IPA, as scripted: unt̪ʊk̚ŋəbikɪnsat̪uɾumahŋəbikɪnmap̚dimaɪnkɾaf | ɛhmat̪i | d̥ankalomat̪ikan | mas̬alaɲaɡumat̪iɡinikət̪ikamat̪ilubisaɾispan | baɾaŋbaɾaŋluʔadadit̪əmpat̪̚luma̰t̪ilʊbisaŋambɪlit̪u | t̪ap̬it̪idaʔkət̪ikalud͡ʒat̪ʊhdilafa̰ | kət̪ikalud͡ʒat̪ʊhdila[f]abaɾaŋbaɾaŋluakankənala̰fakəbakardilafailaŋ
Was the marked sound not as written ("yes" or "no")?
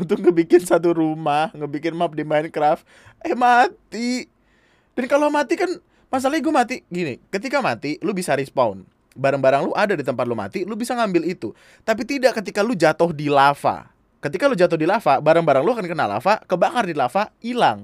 no